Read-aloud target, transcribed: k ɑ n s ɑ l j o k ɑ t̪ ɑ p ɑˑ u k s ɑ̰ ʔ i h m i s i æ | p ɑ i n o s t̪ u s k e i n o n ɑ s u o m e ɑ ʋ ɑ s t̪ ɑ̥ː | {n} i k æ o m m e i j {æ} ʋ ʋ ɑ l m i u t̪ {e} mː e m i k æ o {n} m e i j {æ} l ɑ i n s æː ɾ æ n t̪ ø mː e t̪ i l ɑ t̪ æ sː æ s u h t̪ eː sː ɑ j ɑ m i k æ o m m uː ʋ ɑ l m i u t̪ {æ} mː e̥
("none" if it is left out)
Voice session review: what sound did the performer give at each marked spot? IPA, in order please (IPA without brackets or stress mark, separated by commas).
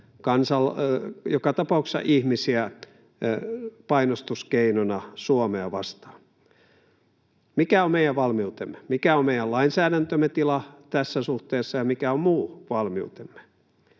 m, æ, e, m, æ, e